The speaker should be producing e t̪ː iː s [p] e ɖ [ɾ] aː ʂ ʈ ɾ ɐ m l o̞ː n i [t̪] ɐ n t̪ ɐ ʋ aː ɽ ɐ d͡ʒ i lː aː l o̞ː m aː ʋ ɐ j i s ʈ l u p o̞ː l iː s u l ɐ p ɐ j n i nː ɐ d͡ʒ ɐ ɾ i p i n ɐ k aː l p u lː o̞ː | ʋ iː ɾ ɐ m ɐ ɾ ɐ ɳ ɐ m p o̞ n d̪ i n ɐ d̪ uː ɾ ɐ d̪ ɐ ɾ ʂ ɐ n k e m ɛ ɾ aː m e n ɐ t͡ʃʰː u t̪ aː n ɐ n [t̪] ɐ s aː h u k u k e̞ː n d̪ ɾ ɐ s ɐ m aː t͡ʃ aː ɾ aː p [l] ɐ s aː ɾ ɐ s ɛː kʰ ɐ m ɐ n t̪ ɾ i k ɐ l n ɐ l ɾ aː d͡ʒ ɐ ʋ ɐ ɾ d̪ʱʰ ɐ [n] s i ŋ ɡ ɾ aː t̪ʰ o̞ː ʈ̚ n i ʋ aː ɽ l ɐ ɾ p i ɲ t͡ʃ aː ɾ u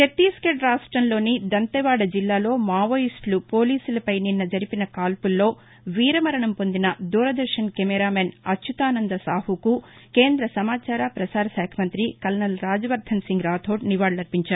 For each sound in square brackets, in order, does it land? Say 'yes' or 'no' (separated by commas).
no, yes, no, no, no, yes